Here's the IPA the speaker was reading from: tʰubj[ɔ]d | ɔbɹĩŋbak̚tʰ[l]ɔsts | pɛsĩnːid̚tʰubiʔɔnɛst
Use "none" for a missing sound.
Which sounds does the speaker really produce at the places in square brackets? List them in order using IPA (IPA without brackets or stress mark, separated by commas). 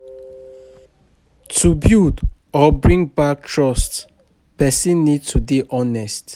u, ɹ